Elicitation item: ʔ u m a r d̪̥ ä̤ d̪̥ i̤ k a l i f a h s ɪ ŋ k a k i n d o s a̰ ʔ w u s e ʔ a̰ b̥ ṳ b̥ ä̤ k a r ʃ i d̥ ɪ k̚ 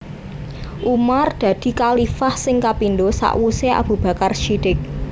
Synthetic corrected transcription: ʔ u m a r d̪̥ ä̤ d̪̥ i̤ k a l i f a h s ɪ ŋ k a p i n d o s a̰ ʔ w u s e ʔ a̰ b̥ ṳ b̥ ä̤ k a r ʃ i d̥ ɪ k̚